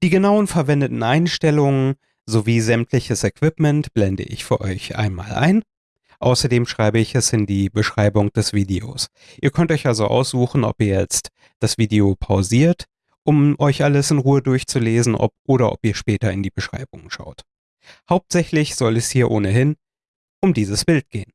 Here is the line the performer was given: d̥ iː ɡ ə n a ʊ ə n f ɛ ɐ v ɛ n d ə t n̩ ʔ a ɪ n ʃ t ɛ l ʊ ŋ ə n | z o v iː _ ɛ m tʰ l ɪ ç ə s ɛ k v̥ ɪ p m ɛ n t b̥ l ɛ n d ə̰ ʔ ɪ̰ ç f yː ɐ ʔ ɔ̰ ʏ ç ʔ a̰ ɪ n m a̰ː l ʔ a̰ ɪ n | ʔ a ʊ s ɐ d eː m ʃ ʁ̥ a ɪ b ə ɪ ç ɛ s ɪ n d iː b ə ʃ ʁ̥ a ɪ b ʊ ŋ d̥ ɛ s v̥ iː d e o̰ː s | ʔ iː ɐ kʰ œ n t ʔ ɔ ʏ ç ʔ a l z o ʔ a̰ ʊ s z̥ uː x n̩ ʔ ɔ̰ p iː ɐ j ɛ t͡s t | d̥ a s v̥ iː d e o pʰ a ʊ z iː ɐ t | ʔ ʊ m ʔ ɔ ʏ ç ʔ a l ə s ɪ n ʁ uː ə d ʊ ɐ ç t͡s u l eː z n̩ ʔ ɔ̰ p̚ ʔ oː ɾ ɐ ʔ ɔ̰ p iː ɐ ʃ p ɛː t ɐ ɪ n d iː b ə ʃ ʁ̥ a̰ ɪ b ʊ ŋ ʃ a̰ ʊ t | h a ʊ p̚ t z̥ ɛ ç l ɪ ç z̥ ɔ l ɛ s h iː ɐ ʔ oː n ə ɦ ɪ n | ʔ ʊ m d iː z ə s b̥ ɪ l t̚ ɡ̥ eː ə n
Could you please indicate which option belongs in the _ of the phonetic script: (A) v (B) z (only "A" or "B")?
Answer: B